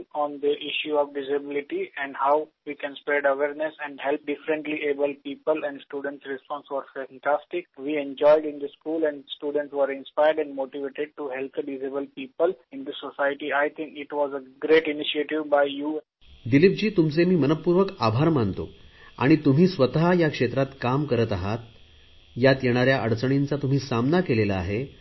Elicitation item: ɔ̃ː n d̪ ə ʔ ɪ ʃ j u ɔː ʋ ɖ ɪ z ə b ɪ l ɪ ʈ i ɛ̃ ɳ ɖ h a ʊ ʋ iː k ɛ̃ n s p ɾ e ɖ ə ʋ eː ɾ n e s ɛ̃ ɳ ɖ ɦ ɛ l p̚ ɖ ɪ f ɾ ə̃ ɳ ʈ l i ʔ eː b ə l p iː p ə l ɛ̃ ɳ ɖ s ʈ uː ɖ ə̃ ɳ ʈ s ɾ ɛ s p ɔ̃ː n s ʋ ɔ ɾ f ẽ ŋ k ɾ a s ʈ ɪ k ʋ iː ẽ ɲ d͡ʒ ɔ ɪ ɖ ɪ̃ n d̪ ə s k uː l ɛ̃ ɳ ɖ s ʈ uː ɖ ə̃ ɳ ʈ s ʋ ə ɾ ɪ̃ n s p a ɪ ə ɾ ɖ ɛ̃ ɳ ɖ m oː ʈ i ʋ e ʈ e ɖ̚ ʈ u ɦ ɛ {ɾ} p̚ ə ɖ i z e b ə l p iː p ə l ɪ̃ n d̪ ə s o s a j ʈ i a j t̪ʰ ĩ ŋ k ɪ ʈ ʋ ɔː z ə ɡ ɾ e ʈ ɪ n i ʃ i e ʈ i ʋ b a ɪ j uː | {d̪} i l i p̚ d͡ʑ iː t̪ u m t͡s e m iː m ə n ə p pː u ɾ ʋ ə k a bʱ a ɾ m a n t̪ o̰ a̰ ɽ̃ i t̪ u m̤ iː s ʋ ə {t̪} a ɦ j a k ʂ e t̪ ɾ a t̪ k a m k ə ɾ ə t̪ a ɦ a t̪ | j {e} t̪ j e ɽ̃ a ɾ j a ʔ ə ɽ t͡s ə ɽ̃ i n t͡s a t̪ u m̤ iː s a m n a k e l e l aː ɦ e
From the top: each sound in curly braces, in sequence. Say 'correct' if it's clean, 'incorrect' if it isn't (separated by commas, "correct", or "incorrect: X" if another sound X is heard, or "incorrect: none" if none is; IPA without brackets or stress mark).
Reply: incorrect: l, correct, correct, incorrect: a